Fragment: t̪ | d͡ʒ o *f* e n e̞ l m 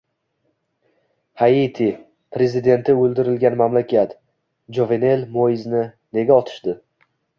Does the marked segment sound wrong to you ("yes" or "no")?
yes